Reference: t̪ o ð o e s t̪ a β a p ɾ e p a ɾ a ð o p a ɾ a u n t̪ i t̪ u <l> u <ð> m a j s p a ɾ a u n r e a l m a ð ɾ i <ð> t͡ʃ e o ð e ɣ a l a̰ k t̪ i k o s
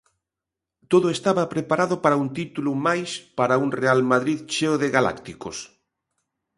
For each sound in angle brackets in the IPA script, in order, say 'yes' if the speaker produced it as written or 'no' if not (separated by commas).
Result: yes, no, yes